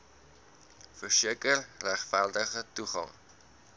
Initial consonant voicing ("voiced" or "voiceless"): voiceless